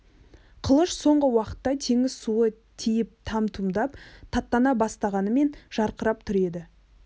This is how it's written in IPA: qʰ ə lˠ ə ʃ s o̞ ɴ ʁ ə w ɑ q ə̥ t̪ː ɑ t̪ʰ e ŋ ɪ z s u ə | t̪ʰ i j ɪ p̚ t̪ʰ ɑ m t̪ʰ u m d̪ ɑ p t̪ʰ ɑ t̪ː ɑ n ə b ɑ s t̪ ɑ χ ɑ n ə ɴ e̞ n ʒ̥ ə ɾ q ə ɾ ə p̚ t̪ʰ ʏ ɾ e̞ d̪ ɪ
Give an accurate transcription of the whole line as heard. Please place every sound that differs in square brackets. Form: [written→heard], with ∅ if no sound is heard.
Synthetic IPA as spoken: qʰ ə lˠ ə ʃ s o̞ ɴ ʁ ə w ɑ q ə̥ t̪ː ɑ t̪ʰ e ŋ ɪ z s u ə | t̪ʰ i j ɪ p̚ t̪ʰ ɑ m t̪ʰ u m d̪ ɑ p t̪ʰ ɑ t̪ː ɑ n [ə→ɑ] b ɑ s t̪ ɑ [χ→ʁ] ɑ n ə [ɴ→m] e̞ n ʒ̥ [ə→ɑ] ɾ q ə ɾ [ə→ɑ] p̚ t̪ʰ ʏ ɾ e̞ d̪ ɪ

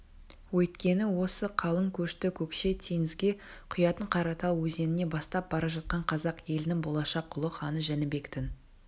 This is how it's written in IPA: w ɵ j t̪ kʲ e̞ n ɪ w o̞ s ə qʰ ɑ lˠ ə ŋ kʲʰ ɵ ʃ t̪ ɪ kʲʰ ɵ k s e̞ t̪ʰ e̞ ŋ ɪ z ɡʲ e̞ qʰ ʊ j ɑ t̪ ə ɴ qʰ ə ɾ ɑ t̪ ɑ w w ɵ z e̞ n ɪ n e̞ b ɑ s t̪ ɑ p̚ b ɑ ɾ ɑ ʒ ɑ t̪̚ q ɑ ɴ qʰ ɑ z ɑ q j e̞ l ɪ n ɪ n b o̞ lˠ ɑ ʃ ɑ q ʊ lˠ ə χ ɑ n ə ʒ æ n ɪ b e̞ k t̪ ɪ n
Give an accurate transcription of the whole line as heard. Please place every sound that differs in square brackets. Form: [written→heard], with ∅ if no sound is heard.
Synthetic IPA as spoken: w ɵ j t̪ kʲ e̞ n ɪ w o̞ s ə qʰ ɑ lˠ ə ŋ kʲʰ ɵ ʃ t̪ ɪ kʲʰ ɵ k [s→ʃ] e̞ t̪ʰ e̞ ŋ ɪ z ɡʲ e̞ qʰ ʊ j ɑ t̪ ə ɴ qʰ [ə→ɑ] ɾ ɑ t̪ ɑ w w ɵ z e̞ n ɪ n e̞ b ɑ s t̪ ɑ p̚ b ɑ ɾ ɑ ʒ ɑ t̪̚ q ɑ ɴ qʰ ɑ z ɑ q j e̞ l ɪ n ɪ [n→ŋ] b o̞ lˠ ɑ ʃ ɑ q ʊ lˠ ə χ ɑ n ə ʒ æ n ɪ b e̞ k t̪ ɪ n

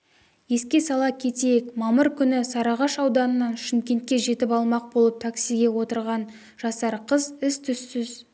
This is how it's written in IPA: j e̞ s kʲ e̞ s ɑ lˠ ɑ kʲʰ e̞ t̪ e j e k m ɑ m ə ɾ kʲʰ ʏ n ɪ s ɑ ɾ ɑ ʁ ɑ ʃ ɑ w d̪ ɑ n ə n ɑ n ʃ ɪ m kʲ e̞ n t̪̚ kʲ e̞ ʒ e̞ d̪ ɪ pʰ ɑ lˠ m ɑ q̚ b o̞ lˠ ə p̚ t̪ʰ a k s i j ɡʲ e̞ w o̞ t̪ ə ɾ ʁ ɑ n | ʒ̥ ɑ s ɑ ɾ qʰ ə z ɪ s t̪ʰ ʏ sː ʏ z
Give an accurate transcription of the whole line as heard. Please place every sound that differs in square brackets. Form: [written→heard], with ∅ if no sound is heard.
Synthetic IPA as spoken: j e̞ s kʲ e̞ s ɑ lˠ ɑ kʲʰ e̞ t̪ e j e k m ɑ m ə ɾ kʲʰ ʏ n ɪ s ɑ ɾ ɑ ʁ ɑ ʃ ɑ w d̪ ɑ n ə n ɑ n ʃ ɪ m kʲ e̞ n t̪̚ kʲ e̞ ʒ e̞ [d̪→t̪] ɪ [pʰ→p] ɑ lˠ m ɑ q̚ b o̞ lˠ ə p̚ t̪ʰ a k s i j ɡʲ e̞ w o̞ t̪ ə ɾ ʁ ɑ n | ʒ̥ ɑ s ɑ ɾ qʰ ə z ɪ s t̪ʰ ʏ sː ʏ z

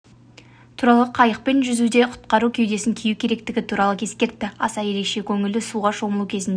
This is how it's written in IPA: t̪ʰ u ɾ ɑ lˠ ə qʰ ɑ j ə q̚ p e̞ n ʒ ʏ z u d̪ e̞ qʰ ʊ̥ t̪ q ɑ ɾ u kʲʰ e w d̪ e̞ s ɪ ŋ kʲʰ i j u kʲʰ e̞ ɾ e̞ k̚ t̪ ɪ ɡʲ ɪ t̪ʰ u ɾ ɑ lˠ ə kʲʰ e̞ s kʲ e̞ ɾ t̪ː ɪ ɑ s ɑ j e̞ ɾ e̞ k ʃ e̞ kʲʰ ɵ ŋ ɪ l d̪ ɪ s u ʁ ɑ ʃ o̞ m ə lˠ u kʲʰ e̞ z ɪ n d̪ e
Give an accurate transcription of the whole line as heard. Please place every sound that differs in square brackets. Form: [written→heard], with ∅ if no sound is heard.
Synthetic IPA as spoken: t̪ʰ u ɾ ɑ lˠ ə qʰ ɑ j ə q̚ p e̞ n ʒ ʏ z u d̪ e̞ qʰ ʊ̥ t̪ q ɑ ɾ u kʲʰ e w d̪ e̞ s ɪ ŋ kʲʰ i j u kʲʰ e̞ ɾ e̞ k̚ t̪ ɪ ɡʲ ɪ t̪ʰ u ɾ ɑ lˠ ə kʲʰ e̞ s kʲ e̞ ɾ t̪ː ɪ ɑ s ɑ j e̞ ɾ e̞ k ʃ e̞ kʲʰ ɵ ŋ ɪ l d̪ ɪ s u ʁ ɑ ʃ o̞ m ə lˠ u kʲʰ e̞ z ɪ n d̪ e

